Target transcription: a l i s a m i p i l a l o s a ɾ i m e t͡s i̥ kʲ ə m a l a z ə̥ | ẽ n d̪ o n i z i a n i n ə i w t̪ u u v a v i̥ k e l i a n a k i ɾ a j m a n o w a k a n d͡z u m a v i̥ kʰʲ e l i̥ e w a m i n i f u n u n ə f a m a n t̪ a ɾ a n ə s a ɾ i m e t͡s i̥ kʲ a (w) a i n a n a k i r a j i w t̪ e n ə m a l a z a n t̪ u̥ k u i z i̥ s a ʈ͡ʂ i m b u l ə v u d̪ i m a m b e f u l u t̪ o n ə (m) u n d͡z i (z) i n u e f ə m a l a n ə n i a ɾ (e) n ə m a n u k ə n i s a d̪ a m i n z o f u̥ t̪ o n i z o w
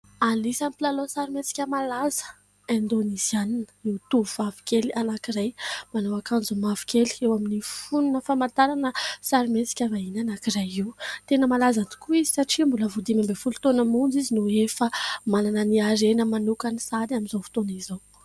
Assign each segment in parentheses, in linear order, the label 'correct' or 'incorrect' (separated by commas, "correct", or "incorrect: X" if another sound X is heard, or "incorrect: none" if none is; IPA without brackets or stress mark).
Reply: incorrect: v, correct, correct, correct